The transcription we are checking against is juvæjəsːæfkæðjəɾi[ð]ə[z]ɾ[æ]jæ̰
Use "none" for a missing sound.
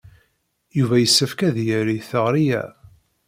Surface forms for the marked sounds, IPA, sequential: θ, ʁ, i

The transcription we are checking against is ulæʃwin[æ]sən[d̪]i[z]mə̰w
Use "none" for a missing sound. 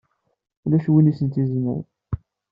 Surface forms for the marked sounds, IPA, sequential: i, t̪, z

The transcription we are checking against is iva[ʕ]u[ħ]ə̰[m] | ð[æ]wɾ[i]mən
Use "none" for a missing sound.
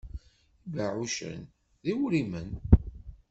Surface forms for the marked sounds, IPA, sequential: ʕ, ʃ, n, i, i

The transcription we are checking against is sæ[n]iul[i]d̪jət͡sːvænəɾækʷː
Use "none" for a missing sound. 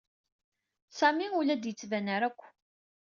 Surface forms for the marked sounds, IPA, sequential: m, æ

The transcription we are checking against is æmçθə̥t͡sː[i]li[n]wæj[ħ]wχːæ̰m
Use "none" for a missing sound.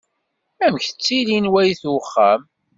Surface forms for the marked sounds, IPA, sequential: i, n, θ

